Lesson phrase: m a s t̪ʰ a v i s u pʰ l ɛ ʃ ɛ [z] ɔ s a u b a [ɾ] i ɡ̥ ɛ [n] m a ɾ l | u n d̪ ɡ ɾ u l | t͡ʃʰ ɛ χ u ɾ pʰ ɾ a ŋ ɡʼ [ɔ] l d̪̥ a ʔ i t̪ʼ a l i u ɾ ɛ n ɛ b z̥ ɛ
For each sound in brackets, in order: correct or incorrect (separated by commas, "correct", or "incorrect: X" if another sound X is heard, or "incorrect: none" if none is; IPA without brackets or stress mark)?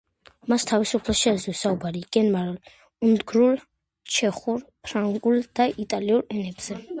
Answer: correct, correct, correct, incorrect: u